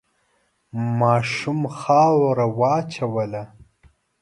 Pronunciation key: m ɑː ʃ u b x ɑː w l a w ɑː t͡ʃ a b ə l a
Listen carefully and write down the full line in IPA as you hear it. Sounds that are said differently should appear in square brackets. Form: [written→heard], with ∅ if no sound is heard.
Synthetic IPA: m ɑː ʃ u [b→m] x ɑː w [l→ɾ] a w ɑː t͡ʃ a [b→w] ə l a